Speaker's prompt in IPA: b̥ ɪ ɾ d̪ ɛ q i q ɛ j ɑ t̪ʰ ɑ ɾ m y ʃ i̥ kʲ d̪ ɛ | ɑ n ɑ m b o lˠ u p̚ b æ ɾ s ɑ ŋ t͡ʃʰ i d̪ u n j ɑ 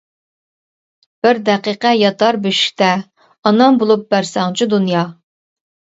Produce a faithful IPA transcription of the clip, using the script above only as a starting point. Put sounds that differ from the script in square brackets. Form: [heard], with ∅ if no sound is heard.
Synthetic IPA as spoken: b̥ ɪ ɾ d̪ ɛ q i q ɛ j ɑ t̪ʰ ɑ ɾ [b] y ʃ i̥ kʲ [t̪] ɛ | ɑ n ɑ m b o lˠ u p̚ b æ ɾ s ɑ ŋ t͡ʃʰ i d̪ u n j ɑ